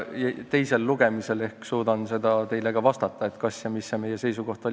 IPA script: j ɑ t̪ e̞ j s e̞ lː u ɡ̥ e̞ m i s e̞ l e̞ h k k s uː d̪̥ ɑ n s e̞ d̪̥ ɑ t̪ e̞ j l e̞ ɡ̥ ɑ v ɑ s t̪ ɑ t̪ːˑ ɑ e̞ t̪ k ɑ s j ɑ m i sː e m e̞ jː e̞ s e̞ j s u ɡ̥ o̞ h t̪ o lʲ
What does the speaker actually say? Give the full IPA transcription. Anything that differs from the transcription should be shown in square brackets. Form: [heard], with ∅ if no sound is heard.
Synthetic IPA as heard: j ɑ t̪ e̞ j s e̞ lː u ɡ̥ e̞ m i s e̞ l e̞ h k k s uː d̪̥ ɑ n s e̞ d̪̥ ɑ t̪ e̞ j l e̞ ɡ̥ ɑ v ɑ s t̪ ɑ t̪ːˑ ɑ e̞ t̪ k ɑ s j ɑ m i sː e m e̞ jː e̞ s e̞ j s u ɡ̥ o̞ h t̪ o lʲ